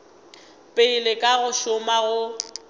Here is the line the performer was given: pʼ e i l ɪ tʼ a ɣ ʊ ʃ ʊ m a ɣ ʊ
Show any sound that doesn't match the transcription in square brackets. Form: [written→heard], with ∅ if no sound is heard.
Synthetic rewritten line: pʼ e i l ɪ [tʼ→kʼ] a ɣ ʊ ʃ ʊ m a ɣ ʊ

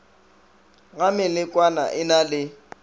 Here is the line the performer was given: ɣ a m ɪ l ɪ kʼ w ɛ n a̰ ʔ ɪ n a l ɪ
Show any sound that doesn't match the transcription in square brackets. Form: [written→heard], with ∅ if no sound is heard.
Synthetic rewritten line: ɣ a m ɪ l ɪ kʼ w [ɛ→a] n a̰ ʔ ɪ n a l ɪ

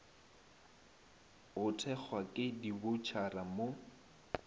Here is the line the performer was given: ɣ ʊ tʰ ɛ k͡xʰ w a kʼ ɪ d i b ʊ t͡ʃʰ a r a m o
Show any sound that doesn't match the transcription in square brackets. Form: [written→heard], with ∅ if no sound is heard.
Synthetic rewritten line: ɣ ʊ tʰ ɛ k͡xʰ w a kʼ ɪ d i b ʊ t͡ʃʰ a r a m o

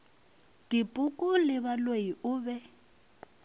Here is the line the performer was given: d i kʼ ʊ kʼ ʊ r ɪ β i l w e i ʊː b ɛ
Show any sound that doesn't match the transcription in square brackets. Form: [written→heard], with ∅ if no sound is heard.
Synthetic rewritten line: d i [kʼ→pʼ] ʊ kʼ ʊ [r→l] ɪ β [i→a] l w e i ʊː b ɛ

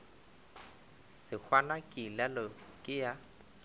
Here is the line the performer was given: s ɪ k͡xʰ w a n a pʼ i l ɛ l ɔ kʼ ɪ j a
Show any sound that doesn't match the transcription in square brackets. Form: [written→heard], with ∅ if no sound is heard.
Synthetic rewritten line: s ɪ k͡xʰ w a n a [pʼ→kʼ] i l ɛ l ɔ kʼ ɪ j a

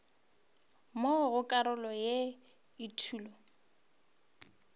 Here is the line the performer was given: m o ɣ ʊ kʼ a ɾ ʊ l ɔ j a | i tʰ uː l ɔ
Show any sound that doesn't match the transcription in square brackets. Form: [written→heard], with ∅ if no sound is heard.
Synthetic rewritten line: m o ɣ ʊ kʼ a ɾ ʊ l ɔ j [a→e] | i tʰ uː l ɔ

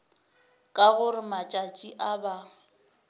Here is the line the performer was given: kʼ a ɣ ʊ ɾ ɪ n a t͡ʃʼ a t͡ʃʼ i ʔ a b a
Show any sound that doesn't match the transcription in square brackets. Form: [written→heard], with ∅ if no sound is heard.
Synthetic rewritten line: kʼ a ɣ ʊ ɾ ɪ [n→m] a t͡ʃʼ a t͡ʃʼ i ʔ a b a

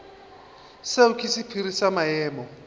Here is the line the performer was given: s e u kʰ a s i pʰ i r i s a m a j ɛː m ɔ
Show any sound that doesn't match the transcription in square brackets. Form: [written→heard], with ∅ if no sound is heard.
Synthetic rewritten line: s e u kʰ [a→i] s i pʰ i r i s a m a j ɛː m ɔ

